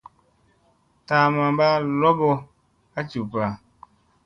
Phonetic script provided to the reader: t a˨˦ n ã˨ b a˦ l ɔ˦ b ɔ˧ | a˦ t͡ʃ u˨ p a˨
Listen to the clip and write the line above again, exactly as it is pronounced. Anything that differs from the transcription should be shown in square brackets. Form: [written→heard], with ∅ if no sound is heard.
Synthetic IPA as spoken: t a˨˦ [n→m] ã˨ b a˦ l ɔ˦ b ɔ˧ | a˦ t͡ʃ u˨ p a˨